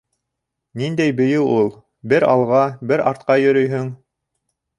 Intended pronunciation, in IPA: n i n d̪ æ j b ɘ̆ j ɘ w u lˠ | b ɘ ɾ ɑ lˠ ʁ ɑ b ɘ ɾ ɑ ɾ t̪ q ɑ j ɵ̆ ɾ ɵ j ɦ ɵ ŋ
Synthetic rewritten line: n i n d̪ æ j b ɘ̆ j ɘ w u lˠ | b ɘ ɾ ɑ lˠ ʁ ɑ b ɘ ɾ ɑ ɾ t̪ q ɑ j ɵ̆ ɾ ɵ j ɦ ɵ ŋ